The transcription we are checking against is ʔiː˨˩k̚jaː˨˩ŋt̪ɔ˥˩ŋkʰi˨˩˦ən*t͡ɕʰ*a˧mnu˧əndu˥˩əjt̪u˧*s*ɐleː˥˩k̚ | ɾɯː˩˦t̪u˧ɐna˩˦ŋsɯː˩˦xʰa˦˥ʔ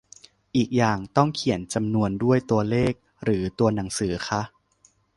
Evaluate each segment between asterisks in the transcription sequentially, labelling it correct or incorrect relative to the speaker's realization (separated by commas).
incorrect, incorrect